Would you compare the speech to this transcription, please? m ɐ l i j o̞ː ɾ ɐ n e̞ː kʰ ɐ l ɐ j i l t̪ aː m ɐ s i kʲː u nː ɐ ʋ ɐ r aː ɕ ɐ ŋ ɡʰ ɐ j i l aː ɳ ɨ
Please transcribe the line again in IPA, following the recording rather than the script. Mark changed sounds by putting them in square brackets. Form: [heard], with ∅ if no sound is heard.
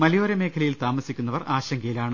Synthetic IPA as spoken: m ɐ l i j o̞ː ɾ ɐ [m] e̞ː kʰ ɐ l ɐ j i l t̪ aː m ɐ s i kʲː u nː ɐ ʋ ɐ r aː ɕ ɐ ŋ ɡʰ ɐ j i l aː ɳ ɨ